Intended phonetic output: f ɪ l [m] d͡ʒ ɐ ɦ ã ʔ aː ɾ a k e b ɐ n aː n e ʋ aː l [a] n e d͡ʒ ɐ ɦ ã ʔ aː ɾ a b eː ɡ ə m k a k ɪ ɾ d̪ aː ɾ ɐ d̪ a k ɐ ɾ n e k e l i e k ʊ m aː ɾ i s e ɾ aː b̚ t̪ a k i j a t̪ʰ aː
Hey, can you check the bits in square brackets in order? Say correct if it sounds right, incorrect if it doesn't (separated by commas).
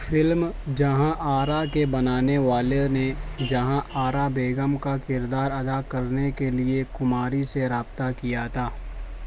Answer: correct, incorrect